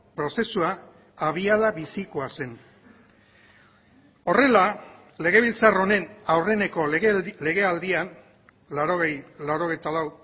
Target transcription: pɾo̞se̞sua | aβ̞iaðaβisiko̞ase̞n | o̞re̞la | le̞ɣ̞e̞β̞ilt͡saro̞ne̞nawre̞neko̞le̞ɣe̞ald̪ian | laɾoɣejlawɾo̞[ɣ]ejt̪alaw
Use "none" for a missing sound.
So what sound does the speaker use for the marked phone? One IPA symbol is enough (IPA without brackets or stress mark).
ɣ